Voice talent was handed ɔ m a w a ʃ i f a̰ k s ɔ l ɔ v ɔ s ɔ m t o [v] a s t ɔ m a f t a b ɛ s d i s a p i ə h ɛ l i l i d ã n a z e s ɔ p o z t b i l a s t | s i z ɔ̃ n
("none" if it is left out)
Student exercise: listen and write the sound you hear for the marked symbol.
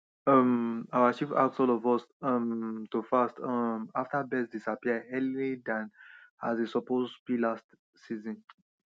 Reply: f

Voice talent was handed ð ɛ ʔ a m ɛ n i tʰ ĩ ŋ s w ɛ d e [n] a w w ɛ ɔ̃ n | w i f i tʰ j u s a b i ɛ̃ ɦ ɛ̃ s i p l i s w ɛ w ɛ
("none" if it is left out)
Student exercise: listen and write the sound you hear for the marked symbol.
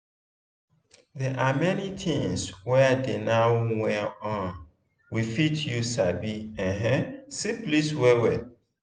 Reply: n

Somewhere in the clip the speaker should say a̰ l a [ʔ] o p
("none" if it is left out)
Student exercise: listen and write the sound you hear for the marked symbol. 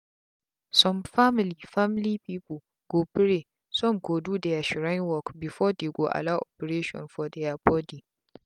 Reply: ʔ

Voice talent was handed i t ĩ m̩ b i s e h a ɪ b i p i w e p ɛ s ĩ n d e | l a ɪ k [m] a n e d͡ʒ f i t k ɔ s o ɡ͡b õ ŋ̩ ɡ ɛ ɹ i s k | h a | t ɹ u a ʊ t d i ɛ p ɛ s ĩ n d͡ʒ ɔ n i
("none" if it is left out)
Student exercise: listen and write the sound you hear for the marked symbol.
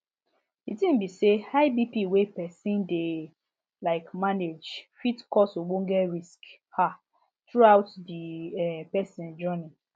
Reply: m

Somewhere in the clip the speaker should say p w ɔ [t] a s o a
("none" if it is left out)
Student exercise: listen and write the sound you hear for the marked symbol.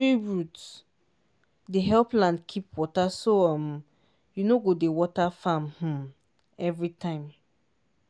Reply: t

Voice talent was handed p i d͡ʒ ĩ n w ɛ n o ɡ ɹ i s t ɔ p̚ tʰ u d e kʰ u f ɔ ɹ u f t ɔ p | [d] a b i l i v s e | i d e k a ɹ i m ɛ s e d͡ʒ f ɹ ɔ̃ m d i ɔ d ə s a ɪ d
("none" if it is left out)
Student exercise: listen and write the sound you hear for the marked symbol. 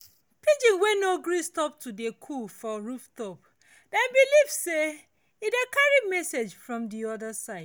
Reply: d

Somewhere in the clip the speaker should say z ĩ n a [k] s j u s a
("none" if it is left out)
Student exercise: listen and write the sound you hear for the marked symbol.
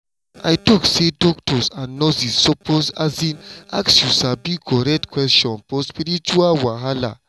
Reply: k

